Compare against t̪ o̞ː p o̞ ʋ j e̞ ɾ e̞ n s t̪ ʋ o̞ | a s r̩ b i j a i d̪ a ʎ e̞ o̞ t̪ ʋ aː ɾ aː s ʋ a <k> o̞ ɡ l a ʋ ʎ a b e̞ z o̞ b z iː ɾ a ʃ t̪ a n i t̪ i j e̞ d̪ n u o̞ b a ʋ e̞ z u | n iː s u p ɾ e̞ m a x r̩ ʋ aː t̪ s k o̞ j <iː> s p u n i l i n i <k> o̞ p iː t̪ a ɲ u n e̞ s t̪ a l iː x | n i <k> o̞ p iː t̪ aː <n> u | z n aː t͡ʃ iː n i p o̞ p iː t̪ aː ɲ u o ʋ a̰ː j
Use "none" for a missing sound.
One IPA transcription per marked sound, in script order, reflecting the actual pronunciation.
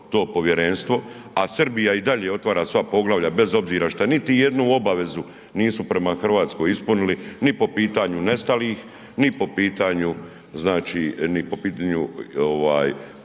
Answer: p, i, p, p, ɲ

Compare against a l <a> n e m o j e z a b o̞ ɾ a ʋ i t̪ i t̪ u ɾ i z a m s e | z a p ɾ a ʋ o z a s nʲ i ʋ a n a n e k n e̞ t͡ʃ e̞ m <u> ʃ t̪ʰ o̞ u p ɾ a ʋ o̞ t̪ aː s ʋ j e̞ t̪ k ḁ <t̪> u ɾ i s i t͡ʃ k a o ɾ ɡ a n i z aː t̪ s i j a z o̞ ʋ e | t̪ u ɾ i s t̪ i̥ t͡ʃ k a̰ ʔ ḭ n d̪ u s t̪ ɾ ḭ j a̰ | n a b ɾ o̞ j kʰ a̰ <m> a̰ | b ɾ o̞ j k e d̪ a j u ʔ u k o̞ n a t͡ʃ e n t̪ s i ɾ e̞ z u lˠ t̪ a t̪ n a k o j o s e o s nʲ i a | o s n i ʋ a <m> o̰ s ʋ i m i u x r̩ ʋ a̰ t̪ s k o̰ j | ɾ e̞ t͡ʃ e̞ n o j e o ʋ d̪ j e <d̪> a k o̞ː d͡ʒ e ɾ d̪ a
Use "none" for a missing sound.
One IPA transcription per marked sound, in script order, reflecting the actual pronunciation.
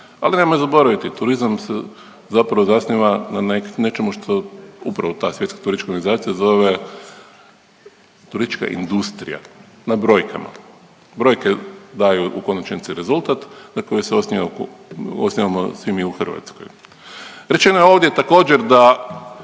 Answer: i, u, t̪, m, m, t̪

